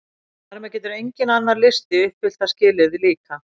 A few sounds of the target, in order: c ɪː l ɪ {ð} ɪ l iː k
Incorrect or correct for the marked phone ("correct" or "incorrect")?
correct